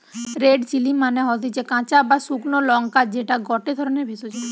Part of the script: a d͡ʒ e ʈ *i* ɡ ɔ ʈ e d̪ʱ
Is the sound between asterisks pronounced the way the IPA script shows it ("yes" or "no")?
no